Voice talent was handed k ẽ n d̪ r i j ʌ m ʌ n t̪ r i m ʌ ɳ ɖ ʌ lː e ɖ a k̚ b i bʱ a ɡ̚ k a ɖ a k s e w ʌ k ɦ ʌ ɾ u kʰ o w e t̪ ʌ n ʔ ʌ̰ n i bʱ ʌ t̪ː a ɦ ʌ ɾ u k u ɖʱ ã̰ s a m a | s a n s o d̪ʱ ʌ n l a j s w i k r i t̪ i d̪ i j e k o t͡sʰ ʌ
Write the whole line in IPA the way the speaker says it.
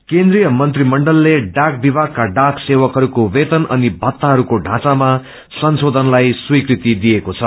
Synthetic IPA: k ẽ n d̪ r i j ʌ m ʌ n t̪ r i m ʌ ɳ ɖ ʌ lː e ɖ a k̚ b i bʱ a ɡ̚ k a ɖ a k s e w ʌ k ɦ ʌ ɾ u k o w e t̪ ʌ n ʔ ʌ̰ n i bʱ ʌ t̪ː a ɦ ʌ ɾ u k o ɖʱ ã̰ t͡s a m a | s ʌ n s o d̪ʱ ʌ n l a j s w i k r i t̪ i d̪ i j e k o t͡sʰ ʌ